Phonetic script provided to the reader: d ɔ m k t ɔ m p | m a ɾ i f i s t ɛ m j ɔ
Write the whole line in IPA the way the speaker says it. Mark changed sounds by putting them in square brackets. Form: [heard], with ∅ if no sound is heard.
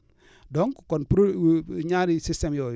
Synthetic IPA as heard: d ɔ [ŋ] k [k] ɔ [n] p | [ɲ] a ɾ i [s] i s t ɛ m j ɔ